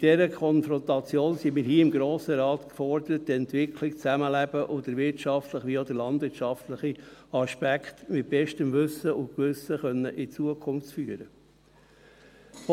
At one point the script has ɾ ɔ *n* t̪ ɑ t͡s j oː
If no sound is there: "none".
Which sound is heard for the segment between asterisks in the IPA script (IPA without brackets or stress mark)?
n